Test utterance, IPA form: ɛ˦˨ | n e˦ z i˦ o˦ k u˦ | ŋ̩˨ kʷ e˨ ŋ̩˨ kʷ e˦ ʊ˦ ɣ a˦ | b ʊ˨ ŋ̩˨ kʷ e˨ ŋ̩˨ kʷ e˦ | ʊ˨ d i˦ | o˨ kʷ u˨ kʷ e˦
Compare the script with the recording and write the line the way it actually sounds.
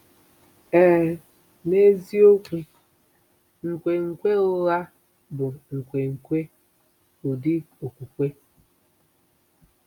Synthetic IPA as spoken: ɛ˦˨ | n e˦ z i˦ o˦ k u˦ | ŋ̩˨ kʷ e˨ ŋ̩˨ kʷ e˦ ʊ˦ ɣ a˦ | b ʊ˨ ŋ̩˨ kʷ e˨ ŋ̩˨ kʷ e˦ | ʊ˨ d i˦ | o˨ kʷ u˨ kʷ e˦

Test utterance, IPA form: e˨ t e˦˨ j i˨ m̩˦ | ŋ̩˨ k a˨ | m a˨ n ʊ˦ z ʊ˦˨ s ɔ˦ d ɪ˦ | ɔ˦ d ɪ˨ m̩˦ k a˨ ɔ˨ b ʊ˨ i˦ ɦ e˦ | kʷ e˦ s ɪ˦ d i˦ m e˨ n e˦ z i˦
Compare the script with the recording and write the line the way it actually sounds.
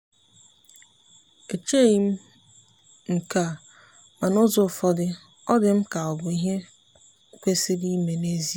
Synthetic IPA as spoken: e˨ t͡ʃ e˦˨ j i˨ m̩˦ | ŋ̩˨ k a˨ | m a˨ n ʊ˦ z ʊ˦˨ f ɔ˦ d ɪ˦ | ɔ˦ d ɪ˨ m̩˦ k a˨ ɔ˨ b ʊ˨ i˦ ɦ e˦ | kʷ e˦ s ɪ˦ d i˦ m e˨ n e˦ z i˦

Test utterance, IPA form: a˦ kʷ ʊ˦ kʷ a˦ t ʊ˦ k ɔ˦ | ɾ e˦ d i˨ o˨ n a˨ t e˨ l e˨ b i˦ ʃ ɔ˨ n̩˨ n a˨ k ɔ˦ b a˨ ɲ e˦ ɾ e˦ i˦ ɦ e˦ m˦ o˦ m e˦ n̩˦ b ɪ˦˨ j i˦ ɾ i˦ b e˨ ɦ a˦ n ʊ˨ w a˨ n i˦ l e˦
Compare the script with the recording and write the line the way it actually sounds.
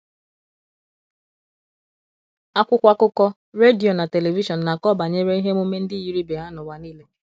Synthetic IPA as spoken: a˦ kʷ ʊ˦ kʷ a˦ k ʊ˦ k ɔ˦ | ɾ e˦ d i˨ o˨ n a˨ t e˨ l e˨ v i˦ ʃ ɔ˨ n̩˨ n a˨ k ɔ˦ b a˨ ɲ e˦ ɾ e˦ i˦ ɦ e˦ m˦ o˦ m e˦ n̩˦ d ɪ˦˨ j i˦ ɾ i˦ b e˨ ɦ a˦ n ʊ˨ w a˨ n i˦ l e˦

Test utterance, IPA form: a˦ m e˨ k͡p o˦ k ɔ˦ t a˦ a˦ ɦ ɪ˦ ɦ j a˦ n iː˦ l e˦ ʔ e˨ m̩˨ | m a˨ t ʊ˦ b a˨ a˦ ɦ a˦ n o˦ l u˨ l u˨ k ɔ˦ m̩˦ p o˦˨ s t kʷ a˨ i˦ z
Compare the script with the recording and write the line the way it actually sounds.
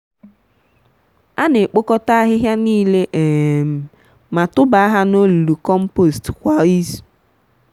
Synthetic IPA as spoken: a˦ n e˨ k͡p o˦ k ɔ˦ t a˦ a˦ ɦ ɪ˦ ɦ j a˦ n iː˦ l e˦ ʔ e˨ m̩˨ | m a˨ t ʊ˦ b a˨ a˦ ɦ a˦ n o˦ l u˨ l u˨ k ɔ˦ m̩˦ p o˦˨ s t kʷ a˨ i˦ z

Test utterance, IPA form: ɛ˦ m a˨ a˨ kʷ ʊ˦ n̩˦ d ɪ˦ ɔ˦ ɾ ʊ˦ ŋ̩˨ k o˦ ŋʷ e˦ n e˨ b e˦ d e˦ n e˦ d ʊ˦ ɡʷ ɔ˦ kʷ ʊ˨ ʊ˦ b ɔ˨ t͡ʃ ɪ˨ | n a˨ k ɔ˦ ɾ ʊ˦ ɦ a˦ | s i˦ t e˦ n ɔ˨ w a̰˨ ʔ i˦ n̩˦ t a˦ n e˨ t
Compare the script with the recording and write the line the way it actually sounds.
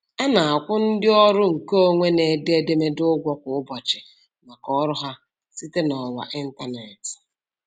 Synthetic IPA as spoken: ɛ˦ n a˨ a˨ kʷ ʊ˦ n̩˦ d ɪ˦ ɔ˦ ɾ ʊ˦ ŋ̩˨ k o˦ ŋʷ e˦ n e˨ d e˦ d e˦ m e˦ d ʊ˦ ɡʷ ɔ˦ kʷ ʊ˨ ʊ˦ b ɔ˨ t͡ʃ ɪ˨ | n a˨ k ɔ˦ ɾ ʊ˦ ɦ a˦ | s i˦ t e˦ n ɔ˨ w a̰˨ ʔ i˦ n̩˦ t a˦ n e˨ t

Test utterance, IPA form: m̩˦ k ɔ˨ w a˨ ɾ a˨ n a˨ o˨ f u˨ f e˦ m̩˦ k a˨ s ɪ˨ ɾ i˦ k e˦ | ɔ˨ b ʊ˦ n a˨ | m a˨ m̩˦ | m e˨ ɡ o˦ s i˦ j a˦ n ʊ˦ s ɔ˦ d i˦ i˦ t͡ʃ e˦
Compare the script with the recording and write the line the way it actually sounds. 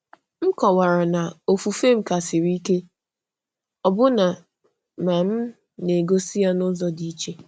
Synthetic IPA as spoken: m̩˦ k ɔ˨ w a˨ ɾ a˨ n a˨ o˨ f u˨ f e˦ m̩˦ k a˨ s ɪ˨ ɾ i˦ k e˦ | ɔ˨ b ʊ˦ n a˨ | m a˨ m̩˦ | n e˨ ɡ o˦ s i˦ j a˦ n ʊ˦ z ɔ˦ d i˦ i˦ t͡ʃ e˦

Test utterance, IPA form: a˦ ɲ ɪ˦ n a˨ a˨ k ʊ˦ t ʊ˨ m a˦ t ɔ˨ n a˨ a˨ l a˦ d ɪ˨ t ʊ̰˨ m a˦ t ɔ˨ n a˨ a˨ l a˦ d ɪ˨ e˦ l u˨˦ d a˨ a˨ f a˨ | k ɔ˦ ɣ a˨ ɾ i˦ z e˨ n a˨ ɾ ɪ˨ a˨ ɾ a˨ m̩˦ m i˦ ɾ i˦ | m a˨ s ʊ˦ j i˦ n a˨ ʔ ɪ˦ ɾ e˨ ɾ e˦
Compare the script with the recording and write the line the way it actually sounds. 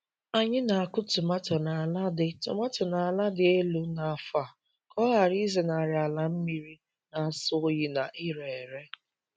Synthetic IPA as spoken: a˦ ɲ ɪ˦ n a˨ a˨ k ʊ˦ t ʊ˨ m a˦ t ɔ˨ n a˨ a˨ l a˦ d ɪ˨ t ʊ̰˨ m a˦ t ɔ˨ n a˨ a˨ l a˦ d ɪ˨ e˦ l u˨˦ n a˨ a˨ f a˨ | k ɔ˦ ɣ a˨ ɾ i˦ z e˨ n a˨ ɾ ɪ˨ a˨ l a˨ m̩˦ m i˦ ɾ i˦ | n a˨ s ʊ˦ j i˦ n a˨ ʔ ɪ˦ ɾ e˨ ɾ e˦

